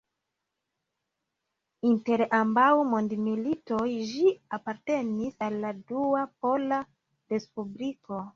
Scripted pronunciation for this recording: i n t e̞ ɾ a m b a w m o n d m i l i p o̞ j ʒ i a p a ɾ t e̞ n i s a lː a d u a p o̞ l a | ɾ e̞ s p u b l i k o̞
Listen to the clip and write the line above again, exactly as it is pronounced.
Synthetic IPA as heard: i n t e̞ ɾ a m b a w m o n d m i l i t o̞ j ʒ i a p a ɾ t e̞ n i s a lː a d u a p o̞ l a | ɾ e̞ s p u b l i k o̞

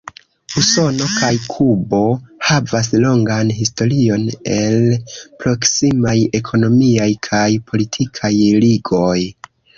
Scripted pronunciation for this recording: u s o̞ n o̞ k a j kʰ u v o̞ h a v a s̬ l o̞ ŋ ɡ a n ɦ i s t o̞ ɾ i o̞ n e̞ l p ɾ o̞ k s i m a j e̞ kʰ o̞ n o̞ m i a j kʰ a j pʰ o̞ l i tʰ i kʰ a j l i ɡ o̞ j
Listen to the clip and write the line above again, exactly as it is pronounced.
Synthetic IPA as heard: u s o̞ n o̞ k a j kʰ u b o̞ h a v a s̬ l o̞ ŋ ɡ a n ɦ i s t o̞ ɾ i o̞ n e̞ l p ɾ o̞ k s i m a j e̞ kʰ o̞ n o̞ m i a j kʰ a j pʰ o̞ l i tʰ i kʰ a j l i ɡ o̞ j

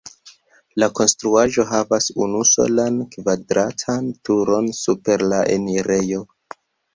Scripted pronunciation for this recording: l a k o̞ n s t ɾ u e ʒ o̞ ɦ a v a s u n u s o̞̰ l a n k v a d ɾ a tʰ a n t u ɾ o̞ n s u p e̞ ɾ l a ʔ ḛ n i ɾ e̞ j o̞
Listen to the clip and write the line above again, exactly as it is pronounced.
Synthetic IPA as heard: l a k o̞ n s t ɾ u a ʒ o̞ ɦ a v a s u n u s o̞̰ l a n k v a d ɾ a tʰ a n t u ɾ o̞ n s u p e̞ ɾ l a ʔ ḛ n i ɾ e̞ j o̞

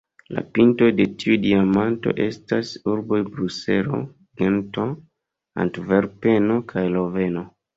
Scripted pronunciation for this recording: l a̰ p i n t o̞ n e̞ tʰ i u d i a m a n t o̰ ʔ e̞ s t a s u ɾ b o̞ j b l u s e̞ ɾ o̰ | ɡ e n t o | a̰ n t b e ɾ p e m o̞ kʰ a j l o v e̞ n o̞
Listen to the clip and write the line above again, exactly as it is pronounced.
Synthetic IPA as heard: l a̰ p i n t o̞ d e̞ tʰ i u d i a m a n t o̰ ʔ e̞ s t a s u ɾ b o̞ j b ɾ u s e̞ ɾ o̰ | ɡ e n t o | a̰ n t v e ɾ p e n o̞ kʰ a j l o v e̞ n o̞

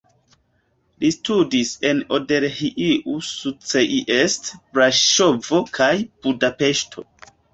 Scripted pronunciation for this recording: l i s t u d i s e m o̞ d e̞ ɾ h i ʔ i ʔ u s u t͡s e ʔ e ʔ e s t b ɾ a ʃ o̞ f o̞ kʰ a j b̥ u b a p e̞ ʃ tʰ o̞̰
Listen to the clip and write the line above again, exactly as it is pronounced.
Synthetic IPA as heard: l i s t u d i s e n o̞ d e̞ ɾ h i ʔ i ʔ u s u t͡s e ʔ i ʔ e s t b ɾ a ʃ o̞ v o̞ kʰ a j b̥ u d a p e̞ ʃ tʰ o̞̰

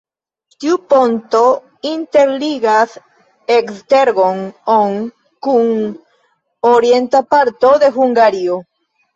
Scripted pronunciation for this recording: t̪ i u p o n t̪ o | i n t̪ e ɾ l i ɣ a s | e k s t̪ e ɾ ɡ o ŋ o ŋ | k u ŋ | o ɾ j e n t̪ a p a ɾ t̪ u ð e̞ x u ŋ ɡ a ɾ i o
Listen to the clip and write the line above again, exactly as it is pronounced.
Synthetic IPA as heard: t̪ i u p o n t̪ o | i n t̪ e ɾ l i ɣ a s | e k s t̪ e ɾ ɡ o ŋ o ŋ | k u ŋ | o ɾ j e n t̪ a p a ɾ t̪ o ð e̞ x u ŋ ɡ a ɾ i o

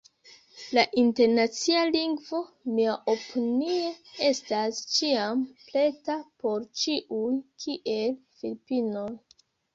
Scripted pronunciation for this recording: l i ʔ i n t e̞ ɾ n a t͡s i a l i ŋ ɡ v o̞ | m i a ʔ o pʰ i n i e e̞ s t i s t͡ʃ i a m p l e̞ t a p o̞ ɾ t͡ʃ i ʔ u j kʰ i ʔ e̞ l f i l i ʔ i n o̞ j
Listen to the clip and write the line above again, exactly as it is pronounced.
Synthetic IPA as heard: l a ʔ i n t e̞ ɾ n a t͡s i a l i ŋ ɡ v o̞ | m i a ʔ o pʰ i n i e e̞ s t a s t͡ʃ i a m p l e̞ t a p o̞ ɾ t͡ʃ i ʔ u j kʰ i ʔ e̞ l f i l i p i n o̞ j

